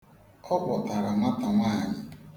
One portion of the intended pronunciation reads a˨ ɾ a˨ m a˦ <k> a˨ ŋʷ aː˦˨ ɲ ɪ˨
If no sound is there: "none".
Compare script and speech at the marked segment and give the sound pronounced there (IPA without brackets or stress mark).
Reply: t